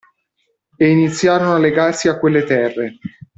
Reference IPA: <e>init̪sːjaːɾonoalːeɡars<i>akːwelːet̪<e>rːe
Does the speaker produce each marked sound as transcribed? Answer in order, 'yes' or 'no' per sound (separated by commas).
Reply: yes, yes, no